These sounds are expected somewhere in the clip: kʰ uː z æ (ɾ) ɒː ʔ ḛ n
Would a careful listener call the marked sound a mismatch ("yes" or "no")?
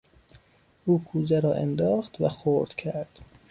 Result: no